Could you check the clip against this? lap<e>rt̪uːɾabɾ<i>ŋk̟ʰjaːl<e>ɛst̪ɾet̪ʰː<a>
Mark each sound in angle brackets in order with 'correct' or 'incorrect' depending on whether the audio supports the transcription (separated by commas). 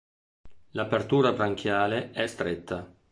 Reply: correct, incorrect, correct, correct